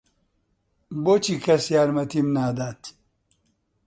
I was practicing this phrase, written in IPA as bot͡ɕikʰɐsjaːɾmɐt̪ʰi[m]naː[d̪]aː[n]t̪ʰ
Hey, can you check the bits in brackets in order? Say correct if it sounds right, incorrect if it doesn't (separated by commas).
correct, correct, incorrect